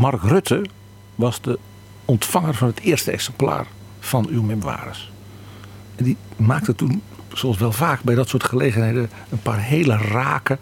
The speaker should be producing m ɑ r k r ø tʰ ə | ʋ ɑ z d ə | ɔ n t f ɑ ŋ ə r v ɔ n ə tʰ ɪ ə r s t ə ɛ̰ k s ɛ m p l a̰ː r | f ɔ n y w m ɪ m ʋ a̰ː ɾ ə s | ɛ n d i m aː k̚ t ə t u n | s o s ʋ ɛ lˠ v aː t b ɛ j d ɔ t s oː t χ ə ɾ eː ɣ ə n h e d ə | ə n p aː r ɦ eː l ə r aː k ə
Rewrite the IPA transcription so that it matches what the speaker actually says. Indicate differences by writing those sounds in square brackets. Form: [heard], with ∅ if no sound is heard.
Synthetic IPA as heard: m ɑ r k r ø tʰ ə | ʋ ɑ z d ə | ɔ n t f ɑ ŋ ə r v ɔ n ə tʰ ɪ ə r s t ə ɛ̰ k s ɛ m p l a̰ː r | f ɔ n y w m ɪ m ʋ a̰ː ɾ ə s | ɛ n d i m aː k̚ t ə t u n | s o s ʋ ɛ lˠ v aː [k] b ɛ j d ɔ t s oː t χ ə [l] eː ɣ ə n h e d ə | ə n p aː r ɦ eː l ə r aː k ə